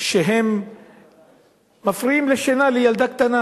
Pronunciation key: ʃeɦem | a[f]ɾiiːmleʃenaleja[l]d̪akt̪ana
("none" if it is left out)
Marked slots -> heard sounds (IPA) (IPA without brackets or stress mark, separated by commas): f, l